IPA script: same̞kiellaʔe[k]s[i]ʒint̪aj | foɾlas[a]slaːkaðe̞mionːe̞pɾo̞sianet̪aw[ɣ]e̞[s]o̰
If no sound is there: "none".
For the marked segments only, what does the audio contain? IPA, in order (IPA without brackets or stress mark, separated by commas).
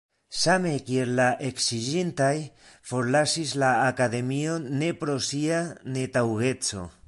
k, i, i, ɣ, t͡s